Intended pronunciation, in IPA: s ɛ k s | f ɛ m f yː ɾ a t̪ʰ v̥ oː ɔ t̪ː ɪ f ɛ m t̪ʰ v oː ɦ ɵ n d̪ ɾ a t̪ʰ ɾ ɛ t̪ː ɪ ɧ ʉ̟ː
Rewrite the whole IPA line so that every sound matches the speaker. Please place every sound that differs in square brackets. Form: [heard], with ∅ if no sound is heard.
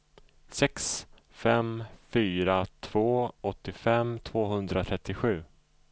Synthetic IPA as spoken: s ɛ k s | f ɛ m f yː ɾ a t̪ʰ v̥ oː ɔ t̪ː ɪ f ɛ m t̪ʰ v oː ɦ ɵ n d̪ ɾ a t̪ʰ ɾ ɛ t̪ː ɪ ɧ ʉ̟ː